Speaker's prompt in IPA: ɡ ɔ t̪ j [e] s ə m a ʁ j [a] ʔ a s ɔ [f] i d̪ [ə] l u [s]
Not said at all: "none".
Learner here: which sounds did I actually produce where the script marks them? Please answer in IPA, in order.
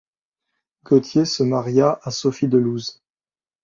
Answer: e, a, f, ə, z

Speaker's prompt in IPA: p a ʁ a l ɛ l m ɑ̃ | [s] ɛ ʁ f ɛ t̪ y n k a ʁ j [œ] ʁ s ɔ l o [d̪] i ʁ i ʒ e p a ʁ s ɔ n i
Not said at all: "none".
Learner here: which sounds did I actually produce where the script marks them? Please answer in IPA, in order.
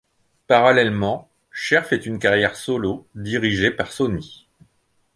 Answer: ʃ, ɛ, d̪

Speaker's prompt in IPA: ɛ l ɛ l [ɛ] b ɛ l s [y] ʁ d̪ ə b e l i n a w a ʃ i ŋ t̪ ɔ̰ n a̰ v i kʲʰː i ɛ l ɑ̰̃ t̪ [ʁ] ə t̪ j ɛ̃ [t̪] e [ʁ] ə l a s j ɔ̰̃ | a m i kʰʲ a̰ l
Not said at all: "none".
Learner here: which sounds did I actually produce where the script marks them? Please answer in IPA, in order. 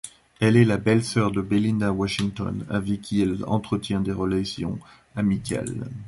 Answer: a, œ, χ, d̪, ʁ

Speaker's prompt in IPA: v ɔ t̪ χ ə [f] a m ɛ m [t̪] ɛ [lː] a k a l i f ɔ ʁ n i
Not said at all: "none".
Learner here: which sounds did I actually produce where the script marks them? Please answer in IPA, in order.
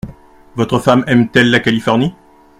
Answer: f, t̪, lː

